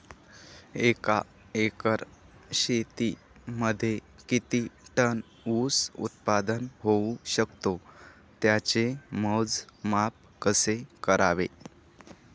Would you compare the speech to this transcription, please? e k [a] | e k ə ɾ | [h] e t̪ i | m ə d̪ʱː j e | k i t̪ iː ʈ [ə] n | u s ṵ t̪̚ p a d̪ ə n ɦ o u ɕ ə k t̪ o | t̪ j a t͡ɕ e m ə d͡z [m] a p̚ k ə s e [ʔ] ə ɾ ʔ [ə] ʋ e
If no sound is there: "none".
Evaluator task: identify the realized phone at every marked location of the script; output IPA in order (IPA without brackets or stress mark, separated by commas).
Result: a, ɕ, ə, m, k, a